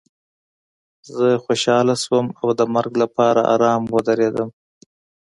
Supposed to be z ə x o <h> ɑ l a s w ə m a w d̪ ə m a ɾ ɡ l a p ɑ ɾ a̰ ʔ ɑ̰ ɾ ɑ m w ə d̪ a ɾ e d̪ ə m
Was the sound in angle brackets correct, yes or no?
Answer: no